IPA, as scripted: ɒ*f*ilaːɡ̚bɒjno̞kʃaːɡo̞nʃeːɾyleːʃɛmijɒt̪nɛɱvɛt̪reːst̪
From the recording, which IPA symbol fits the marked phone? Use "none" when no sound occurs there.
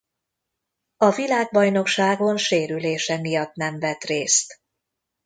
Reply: v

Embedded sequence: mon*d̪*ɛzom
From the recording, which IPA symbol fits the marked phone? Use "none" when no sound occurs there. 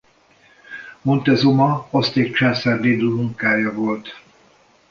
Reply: t̪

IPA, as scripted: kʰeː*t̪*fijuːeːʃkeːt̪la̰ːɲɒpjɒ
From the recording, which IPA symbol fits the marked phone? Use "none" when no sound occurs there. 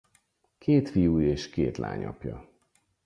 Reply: t̪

